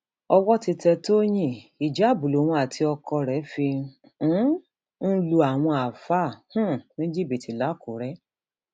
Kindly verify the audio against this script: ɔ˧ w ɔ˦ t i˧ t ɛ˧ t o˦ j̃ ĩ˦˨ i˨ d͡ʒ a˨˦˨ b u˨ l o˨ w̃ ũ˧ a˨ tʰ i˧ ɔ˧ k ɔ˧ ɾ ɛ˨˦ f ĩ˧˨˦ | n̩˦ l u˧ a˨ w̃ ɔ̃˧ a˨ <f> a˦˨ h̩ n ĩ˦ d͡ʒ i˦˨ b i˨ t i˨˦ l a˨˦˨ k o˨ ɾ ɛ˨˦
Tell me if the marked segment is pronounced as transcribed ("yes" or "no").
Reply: yes